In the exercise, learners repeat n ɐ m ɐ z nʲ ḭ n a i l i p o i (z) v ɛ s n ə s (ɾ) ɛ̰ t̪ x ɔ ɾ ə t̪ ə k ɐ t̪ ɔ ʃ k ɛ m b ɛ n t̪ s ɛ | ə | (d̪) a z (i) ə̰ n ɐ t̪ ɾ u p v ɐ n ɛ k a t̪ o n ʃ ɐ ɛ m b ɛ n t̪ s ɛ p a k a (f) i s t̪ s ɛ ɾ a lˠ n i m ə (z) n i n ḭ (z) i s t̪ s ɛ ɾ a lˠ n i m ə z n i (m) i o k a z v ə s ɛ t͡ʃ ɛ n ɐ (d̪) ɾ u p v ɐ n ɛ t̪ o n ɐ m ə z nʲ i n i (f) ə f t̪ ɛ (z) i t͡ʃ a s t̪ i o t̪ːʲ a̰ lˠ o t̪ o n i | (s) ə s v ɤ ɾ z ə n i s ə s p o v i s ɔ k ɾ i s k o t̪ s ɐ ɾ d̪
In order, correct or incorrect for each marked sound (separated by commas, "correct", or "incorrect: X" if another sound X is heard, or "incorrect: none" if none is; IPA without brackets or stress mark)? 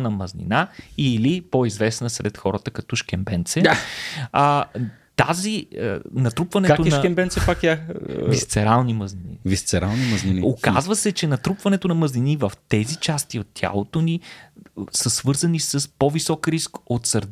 correct, correct, incorrect: t̪, correct, incorrect: v, correct, incorrect: v, incorrect: n, incorrect: t̪, incorrect: v, correct, correct